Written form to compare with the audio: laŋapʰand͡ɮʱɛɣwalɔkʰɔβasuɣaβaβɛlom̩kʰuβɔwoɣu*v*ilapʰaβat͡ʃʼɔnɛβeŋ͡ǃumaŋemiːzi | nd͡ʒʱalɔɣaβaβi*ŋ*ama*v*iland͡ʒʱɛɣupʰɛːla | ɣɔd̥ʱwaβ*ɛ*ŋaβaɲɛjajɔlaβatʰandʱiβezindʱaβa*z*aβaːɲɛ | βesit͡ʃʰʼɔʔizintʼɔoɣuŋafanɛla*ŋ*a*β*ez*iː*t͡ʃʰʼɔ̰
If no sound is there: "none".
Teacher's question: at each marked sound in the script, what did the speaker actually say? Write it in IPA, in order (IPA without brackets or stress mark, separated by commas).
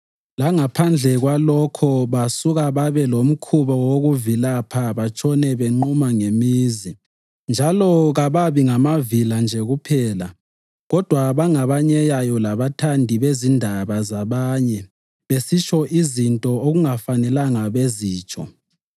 v, ŋ, v, a, z, ŋ, β, iː